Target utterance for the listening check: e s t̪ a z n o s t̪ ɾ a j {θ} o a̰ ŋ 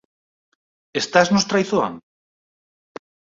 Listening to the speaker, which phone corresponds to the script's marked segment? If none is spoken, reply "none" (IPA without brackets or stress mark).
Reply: θ